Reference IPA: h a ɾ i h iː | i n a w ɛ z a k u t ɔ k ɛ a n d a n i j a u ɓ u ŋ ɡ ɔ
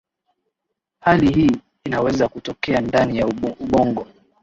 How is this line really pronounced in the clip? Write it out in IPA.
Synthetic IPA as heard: h a l i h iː | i n a w ɛ z a k u t ɔ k ɛ a n d a n i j a u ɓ ɔ ŋ ɡ ɔ